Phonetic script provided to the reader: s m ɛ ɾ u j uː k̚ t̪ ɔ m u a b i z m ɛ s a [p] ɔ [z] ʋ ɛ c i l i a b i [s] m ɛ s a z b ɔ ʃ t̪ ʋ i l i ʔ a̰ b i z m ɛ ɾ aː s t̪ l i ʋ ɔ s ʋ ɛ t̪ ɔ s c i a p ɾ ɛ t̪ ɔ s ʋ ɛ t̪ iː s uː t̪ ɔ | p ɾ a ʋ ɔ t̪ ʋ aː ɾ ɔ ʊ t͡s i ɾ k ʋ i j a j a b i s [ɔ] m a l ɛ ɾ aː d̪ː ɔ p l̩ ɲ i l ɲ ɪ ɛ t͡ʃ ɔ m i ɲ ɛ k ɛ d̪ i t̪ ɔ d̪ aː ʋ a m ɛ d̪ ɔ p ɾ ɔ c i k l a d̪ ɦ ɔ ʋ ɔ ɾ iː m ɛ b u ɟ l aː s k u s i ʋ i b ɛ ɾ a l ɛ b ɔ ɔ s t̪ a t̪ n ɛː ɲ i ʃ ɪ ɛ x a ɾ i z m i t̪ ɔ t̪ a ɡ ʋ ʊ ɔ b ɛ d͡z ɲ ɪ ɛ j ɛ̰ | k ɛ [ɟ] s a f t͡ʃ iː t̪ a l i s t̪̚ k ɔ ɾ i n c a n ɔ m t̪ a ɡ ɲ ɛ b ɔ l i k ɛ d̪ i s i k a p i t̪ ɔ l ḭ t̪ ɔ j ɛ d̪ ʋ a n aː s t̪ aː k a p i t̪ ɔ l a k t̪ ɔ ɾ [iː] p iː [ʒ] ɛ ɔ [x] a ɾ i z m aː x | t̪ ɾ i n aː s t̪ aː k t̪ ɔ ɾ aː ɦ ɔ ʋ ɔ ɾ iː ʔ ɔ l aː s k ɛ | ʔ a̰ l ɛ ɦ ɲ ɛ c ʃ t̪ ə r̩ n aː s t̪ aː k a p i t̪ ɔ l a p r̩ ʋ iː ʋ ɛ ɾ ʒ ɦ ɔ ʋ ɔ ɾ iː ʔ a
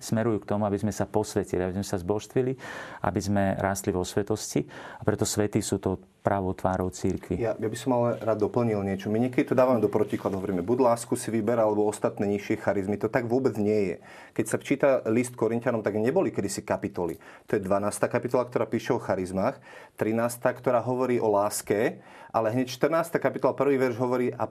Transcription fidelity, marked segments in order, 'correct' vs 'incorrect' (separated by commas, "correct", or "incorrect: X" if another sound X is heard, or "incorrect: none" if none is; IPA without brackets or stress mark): correct, incorrect: s, incorrect: z, correct, incorrect: c, incorrect: aː, incorrect: ʃ, correct